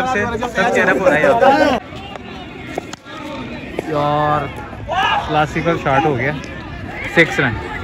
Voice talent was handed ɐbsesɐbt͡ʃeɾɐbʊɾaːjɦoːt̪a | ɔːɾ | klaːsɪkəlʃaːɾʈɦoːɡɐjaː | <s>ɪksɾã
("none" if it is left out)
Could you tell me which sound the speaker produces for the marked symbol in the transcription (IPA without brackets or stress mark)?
s